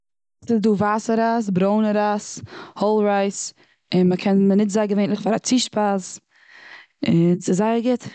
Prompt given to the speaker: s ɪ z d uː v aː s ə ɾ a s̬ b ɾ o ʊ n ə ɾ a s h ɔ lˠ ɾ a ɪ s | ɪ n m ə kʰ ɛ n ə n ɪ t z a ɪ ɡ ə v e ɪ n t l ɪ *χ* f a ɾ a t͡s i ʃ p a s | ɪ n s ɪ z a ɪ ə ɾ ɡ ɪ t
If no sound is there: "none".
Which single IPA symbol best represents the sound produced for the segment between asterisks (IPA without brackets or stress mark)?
χ